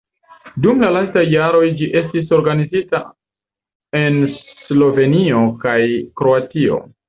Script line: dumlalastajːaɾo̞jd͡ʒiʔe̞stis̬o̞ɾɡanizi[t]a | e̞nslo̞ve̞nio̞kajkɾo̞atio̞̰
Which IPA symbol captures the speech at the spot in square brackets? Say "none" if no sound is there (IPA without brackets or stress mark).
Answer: t